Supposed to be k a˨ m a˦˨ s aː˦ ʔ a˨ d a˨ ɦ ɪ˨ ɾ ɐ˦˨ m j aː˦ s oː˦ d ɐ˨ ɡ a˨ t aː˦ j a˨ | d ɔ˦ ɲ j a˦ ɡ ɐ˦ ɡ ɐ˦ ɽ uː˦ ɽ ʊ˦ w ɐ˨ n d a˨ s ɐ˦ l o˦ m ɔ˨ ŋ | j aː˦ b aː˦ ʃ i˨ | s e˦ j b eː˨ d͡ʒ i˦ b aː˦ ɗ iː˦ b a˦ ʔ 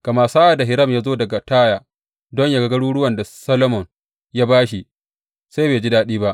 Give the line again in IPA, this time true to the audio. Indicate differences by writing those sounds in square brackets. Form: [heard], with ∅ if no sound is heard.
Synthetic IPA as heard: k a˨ m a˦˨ s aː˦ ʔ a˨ d a˨ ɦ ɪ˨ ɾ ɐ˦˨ m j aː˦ [z] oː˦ d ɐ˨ ɡ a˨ t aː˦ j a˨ | d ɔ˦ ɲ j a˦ ɡ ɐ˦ ɡ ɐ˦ ɽ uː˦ ɽ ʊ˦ w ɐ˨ n d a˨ s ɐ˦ l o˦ m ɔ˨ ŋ | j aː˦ b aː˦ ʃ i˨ | s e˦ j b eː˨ d͡ʒ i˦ [d] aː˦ ɗ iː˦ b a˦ ʔ

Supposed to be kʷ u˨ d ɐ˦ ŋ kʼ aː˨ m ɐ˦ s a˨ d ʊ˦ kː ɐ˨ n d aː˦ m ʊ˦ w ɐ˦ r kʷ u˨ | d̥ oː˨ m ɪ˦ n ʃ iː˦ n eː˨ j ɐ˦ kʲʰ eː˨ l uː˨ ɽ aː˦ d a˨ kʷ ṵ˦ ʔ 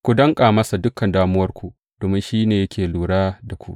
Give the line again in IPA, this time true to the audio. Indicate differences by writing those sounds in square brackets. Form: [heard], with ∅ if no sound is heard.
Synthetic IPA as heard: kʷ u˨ d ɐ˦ ŋ kʼ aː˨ m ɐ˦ s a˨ d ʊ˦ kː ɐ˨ n d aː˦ m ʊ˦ w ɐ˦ r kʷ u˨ | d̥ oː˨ m ɪ˦ n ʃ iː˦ n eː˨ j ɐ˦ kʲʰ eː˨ l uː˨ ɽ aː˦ d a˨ kʷ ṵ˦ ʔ

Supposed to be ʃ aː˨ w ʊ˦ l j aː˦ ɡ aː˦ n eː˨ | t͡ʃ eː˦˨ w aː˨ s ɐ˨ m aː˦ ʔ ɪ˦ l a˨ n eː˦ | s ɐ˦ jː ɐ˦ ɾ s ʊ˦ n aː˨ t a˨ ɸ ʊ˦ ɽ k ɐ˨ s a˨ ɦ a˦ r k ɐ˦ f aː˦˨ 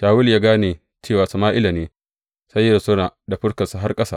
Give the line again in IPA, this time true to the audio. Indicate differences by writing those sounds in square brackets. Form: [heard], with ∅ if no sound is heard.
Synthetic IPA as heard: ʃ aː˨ w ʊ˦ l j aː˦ ɡ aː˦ n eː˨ | t͡ʃ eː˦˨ w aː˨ s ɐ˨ m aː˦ ʔ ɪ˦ l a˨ n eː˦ | s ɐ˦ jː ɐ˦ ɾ s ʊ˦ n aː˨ [d] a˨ ɸ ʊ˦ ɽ k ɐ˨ s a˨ ɦ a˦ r [kʼ] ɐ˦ [s] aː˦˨

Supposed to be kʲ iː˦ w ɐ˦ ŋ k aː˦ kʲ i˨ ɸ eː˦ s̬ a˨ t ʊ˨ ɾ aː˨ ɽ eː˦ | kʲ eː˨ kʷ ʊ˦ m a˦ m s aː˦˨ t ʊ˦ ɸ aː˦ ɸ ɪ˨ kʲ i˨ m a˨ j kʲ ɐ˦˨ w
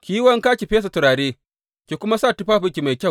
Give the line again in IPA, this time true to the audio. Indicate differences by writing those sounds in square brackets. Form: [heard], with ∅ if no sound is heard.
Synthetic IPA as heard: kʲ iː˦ w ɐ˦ ŋ k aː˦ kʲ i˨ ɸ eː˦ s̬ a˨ t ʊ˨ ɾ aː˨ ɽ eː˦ | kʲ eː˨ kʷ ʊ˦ m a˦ [∅] s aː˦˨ t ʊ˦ ɸ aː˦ ɸ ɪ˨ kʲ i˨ m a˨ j kʲ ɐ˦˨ w

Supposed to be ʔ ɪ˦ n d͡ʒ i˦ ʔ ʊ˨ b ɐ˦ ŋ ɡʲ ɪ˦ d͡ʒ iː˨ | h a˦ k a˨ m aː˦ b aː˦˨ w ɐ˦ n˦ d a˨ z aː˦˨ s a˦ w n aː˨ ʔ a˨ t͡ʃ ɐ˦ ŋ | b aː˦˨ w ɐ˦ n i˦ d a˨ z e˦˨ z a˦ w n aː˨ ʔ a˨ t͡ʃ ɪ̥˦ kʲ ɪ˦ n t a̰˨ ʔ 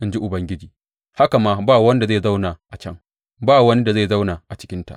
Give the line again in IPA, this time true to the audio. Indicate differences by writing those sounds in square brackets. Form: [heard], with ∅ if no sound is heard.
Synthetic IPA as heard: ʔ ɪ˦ n d͡ʒ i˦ ʔ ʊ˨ b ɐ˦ ŋ ɡʲ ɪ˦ d͡ʒ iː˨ | h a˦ k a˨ m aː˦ b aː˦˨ w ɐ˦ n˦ d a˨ z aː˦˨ [z] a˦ w n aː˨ ʔ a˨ t͡ʃ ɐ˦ ŋ | b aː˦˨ w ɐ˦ n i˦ d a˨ z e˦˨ z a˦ w n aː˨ ʔ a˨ t͡ʃ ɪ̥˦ kʲ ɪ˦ n t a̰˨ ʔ

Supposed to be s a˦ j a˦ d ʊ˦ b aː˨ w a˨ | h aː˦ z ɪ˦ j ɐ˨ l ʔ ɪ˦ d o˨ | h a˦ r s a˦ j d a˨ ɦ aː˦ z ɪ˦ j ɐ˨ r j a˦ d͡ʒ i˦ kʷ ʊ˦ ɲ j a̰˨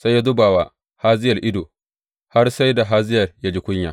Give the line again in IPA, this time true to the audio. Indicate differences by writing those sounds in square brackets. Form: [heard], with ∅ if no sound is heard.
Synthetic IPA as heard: s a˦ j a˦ d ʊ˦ b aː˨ w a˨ | h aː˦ z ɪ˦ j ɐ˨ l ʔ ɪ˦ d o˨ | h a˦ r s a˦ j d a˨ ɦ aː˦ z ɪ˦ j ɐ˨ r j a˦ d͡ʒ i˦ kʷ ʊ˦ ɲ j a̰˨

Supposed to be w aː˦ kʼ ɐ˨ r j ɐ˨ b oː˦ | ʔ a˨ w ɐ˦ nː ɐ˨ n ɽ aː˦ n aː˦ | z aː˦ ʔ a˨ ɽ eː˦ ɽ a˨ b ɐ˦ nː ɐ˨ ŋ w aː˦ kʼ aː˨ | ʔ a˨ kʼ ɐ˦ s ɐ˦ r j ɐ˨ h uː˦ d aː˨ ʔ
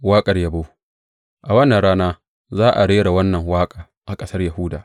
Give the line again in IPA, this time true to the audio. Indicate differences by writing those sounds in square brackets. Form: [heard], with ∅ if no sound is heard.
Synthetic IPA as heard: w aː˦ kʼ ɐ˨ r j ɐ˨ b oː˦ | ʔ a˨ w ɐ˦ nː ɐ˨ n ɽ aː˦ n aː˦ | z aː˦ ʔ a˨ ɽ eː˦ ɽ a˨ [w] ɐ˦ nː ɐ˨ ŋ w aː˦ kʼ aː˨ | ʔ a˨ kʼ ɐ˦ s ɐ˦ r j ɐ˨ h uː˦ d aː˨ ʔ

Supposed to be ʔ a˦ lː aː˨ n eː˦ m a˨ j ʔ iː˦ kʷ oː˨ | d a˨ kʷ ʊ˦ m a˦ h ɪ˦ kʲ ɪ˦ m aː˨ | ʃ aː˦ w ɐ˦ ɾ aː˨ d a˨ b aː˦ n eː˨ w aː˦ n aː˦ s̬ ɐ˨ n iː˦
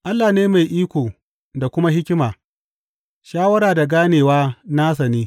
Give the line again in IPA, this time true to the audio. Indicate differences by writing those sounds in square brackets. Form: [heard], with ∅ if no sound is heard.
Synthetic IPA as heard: ʔ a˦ lː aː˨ n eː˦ m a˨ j ʔ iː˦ kʷ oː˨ | d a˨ kʷ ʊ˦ m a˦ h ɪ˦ kʲ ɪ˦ m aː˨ | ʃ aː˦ w ɐ˦ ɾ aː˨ d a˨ [ɡ] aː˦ n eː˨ w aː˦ n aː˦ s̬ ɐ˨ n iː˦

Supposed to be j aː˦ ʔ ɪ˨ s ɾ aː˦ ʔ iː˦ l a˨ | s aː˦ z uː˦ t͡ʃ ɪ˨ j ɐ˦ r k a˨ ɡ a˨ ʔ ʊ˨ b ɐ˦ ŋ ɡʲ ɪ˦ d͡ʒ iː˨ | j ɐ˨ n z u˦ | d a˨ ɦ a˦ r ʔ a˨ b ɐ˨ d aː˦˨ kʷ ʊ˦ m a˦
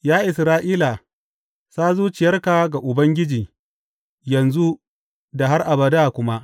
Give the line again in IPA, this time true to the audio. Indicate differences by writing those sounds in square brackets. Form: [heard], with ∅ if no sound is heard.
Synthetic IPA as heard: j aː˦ ʔ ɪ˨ s ɾ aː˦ ʔ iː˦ l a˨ | s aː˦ z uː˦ t͡ʃ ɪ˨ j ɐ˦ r k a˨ ɡ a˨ ʔ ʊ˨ b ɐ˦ ŋ ɡʲ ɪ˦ d͡ʒ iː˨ | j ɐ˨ n z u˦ | d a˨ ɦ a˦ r ʔ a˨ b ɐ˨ d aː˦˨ kʷ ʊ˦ m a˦

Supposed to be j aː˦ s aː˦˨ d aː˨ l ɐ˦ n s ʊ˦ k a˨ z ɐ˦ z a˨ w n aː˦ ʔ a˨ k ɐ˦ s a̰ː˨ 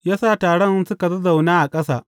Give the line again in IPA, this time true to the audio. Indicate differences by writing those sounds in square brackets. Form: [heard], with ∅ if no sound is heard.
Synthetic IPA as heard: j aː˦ s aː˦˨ [t] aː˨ [ɽ] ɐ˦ n s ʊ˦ k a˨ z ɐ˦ z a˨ w n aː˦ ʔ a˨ [kʼ] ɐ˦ s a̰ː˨

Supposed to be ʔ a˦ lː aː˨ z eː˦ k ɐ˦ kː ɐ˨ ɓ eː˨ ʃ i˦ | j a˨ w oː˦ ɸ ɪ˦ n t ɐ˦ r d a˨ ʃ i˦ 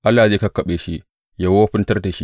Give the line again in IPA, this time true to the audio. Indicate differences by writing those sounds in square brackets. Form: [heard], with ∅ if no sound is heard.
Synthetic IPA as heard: ʔ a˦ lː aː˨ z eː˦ k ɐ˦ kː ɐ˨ ɓ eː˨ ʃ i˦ | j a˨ w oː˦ ɸ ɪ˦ n t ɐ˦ r d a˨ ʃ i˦

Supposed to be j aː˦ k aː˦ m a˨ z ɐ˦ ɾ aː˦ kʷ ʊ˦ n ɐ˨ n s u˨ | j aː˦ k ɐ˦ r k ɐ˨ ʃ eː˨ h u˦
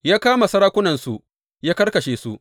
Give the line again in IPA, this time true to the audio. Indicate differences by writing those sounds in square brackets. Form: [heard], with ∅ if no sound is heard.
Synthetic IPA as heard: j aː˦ k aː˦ m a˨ [s] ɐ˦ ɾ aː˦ kʷ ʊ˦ n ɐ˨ n s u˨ | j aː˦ k ɐ˦ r k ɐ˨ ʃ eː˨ [s] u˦

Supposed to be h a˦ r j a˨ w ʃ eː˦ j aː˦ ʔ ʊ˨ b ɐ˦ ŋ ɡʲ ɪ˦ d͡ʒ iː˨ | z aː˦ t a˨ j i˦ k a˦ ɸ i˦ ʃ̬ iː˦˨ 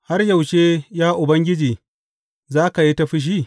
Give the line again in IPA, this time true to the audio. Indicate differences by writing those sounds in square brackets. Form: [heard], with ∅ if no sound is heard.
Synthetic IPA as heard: h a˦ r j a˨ w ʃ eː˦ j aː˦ ʔ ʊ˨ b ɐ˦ ŋ ɡʲ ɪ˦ d͡ʒ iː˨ | z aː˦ [k] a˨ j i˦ [t] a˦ ɸ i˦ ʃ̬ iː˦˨

